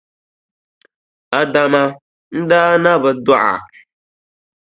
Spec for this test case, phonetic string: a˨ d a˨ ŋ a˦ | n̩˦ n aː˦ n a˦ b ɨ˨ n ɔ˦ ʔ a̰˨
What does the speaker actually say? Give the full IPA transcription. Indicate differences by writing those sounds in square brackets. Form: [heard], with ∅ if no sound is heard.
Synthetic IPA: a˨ d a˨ [m] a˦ | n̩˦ [d] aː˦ n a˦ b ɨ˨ [d] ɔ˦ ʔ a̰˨